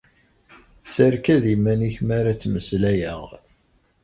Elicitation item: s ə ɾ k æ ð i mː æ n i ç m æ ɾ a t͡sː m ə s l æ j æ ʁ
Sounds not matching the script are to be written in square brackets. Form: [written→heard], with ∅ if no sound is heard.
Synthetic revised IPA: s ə ɾ k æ ð i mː æ n i ç m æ ɾ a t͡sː m ə s l æ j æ ʁ